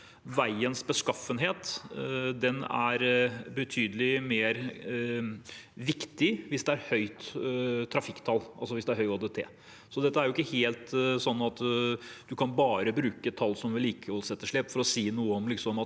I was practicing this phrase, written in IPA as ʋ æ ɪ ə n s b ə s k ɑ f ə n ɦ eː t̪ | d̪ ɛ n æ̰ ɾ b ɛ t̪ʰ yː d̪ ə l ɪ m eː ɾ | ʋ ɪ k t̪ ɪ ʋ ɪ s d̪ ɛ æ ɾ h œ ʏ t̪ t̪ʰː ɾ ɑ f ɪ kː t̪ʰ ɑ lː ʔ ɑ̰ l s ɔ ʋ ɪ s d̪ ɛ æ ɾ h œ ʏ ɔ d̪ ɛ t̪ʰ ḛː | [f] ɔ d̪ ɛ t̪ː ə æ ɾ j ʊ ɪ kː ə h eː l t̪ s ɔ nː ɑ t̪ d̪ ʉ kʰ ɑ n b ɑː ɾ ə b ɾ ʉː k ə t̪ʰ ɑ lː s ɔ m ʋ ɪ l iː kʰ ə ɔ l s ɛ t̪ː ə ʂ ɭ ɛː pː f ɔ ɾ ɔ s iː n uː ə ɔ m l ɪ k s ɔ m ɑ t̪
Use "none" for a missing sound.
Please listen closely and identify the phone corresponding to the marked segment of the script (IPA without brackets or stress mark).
s